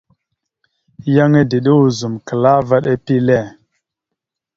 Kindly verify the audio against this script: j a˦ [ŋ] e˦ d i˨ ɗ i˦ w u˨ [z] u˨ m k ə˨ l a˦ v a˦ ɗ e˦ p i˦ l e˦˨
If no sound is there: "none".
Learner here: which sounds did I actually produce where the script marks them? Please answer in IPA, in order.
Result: ŋ, z

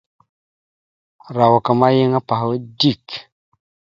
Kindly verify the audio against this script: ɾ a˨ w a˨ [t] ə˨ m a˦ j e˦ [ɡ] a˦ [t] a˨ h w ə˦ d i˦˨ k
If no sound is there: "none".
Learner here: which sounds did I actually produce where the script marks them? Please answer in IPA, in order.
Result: k, ŋ, p

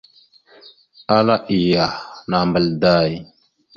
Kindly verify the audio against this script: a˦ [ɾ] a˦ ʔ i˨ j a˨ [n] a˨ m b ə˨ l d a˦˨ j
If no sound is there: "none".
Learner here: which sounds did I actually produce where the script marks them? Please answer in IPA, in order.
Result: l, n

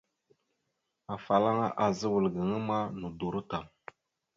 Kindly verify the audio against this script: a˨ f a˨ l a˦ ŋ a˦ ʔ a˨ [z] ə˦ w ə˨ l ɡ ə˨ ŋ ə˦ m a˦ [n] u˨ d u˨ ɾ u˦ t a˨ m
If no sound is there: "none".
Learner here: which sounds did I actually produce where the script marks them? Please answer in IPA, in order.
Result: z, n

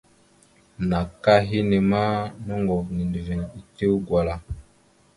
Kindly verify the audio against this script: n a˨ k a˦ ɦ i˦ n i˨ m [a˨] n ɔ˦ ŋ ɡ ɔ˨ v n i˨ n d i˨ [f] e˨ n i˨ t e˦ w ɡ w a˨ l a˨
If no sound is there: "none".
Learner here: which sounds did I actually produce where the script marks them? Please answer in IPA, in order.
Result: a˦, v

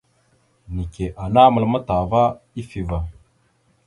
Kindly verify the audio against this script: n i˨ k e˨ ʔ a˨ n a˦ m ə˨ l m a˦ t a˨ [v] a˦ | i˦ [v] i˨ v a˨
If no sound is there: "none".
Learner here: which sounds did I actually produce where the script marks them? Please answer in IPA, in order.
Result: v, f

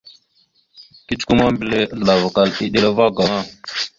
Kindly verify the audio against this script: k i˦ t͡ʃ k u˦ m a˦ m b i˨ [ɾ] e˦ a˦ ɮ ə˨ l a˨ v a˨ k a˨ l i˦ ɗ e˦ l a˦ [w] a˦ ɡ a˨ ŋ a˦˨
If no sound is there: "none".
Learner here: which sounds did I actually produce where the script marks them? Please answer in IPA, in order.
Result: l, v

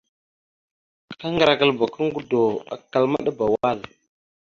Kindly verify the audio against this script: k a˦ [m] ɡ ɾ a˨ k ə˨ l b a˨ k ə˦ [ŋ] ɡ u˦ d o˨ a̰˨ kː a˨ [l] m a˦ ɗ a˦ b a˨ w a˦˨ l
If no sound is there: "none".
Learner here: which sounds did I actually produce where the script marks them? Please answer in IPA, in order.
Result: ŋ, ŋ, l

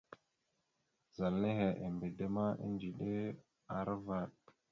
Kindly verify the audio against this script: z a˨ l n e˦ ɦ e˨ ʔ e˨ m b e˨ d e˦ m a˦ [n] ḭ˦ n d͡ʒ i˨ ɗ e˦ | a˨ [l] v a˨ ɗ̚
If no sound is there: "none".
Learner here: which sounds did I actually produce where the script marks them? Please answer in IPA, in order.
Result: none, ɾ

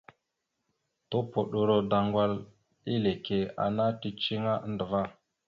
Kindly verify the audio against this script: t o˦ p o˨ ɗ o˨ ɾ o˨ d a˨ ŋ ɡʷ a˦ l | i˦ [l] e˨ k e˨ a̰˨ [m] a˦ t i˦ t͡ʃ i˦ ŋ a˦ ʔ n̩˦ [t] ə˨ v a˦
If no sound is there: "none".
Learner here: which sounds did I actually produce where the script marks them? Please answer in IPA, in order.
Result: l, n, d

